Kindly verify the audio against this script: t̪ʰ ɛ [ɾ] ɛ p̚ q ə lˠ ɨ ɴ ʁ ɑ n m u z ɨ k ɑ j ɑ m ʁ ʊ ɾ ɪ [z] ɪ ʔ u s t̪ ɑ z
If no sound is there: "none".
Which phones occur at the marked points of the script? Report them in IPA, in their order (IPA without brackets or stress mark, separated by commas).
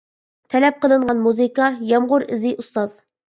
l, z